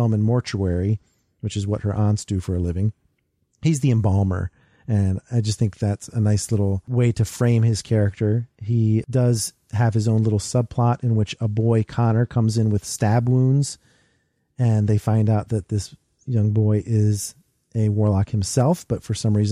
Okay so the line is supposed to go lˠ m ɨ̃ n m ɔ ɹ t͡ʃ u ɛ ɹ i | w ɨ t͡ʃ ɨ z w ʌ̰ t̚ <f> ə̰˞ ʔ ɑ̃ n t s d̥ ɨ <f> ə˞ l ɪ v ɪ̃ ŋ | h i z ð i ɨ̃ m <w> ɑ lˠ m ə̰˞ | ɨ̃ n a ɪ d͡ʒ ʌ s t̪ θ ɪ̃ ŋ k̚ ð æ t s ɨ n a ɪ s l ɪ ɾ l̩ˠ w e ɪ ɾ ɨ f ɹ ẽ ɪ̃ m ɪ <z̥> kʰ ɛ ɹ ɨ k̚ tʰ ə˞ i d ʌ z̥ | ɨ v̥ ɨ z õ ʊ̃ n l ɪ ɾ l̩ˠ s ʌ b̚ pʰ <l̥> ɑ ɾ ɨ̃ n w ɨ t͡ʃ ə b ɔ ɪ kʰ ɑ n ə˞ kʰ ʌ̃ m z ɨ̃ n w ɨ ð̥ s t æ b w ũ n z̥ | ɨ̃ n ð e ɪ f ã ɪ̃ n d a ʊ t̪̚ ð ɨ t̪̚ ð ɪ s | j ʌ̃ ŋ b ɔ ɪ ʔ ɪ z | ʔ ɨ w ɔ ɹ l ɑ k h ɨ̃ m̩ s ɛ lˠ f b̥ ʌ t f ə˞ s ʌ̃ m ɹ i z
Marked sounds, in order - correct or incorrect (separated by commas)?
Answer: incorrect, correct, incorrect, correct, correct